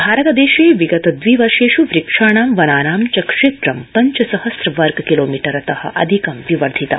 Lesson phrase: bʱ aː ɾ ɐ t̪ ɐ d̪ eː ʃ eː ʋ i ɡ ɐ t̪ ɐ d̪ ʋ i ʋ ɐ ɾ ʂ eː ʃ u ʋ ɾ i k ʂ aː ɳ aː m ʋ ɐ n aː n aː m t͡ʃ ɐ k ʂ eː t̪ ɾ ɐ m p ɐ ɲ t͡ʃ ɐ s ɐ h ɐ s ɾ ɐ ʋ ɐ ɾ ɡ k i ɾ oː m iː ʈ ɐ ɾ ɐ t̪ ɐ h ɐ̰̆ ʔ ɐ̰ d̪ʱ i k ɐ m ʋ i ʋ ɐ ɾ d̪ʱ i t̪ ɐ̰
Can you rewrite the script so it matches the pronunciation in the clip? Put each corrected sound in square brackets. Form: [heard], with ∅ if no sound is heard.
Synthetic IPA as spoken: bʱ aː ɾ ɐ t̪ ɐ d̪ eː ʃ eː ʋ i ɡ ɐ t̪ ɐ d̪ ʋ i ʋ ɐ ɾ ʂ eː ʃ u ʋ ɾ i k ʂ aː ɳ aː m ʋ ɐ n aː n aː m t͡ʃ ɐ k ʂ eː t̪ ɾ ɐ m p ɐ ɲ t͡ʃ ɐ s ɐ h ɐ s ɾ ɐ ʋ ɐ ɾ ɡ k i [l] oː m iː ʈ ɐ ɾ ɐ t̪ ɐ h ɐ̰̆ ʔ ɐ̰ d̪ʱ i k ɐ m ʋ i ʋ ɐ ɾ d̪ʱ i t̪ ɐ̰